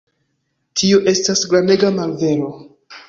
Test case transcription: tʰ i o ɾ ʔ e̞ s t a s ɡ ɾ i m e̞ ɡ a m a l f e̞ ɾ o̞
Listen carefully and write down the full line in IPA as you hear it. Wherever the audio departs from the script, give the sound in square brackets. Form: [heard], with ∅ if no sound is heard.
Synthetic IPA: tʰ i o [∅] ʔ e̞ s t a s ɡ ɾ [a] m e̞ ɡ a m a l [v] e̞ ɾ o̞

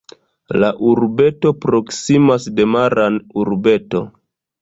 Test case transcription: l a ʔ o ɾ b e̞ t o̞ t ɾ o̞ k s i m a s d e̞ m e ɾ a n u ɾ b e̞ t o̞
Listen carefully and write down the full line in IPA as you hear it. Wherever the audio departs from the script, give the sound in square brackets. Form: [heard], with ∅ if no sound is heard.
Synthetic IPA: l a ʔ [u] ɾ b e̞ t o̞ [p] ɾ o̞ k s i m a s d e̞ m [a] ɾ a n u ɾ b e̞ t o̞

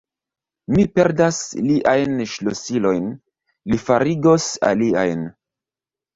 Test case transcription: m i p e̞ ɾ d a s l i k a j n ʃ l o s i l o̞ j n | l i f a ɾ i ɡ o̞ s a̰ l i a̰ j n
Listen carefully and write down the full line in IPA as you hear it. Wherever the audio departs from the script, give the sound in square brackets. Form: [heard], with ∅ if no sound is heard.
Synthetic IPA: m i p e̞ ɾ d a s l i [ʔ] a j n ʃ l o s i l o̞ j n | l i f a ɾ i ɡ o̞ s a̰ l i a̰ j n

